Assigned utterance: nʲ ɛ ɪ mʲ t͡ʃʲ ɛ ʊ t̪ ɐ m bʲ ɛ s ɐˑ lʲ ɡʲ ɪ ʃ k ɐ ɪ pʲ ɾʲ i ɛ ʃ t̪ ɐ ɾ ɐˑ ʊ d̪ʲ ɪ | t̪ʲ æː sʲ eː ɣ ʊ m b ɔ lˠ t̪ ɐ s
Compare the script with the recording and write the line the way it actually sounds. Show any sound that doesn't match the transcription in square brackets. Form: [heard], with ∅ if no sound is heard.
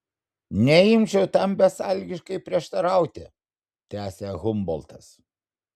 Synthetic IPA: nʲ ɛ ɪ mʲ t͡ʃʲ ɛ ʊ t̪ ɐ m bʲ ɛ s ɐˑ lʲ ɡʲ ɪ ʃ k ɐ ɪ pʲ ɾʲ i ɛ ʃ t̪ ɐ ɾ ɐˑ ʊ [t̪ʲ] ɪ | t̪ʲ æː sʲ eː ɣ ʊ m b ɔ lˠ t̪ ɐ s